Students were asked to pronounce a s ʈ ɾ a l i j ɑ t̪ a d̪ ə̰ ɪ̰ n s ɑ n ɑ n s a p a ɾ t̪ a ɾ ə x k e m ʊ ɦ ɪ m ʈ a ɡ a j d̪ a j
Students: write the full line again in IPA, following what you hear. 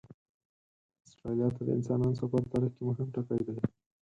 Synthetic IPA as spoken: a s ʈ ɾ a l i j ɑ t̪ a d̪ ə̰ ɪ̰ n s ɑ n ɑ n s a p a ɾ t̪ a ɾ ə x k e m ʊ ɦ ɪ m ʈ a k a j d̪ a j